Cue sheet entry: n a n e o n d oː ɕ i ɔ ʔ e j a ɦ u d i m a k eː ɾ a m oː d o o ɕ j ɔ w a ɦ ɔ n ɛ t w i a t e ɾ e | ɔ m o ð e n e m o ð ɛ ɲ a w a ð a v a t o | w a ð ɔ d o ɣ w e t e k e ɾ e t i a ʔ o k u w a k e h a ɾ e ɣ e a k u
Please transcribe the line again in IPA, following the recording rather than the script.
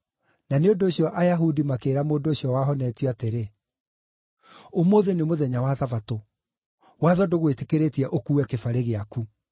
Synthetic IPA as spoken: n a n e o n d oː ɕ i ɔ ʔ a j a ɦ u d i m a k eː ɾ a m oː d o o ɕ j ɔ w a ɦ ɔ n ɛ t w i a t e ɾ e | o m o ð e n e m o ð ɛ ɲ a w a ð a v a t o | w a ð ɔ d o ɣ w e t e k e ɾ e t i ɛ ʔ o k u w ɛ k e f a ɾ e ɣ e a k u